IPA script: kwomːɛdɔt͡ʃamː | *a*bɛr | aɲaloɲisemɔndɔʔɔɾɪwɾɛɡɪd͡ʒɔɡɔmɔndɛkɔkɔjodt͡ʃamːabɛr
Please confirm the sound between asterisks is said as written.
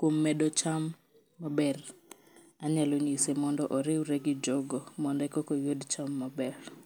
yes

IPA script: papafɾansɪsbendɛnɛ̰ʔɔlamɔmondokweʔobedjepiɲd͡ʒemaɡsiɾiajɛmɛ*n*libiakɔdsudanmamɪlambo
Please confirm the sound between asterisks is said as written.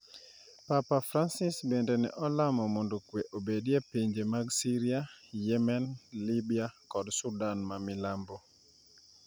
yes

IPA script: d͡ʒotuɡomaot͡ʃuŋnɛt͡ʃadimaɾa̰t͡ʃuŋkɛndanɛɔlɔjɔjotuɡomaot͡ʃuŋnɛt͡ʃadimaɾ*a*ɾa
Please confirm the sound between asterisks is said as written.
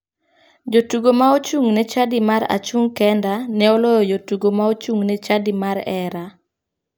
no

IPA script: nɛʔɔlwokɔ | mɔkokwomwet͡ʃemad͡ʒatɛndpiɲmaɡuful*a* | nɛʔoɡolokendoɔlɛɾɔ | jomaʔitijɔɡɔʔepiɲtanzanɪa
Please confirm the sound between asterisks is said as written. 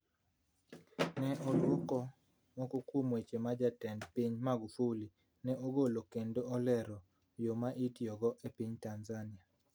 no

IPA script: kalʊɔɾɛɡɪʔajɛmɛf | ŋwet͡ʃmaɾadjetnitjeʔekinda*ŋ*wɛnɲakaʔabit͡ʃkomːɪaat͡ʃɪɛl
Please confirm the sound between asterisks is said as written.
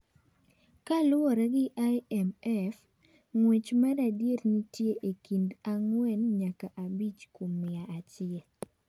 yes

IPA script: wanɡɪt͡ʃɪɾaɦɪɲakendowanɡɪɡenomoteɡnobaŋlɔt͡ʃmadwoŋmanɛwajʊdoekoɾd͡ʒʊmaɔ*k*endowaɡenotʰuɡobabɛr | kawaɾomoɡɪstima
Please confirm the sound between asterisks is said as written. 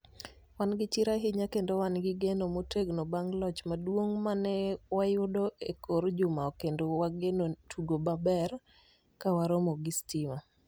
yes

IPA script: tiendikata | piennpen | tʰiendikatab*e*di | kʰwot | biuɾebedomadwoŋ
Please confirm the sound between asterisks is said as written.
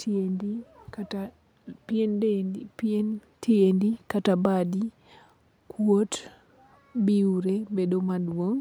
no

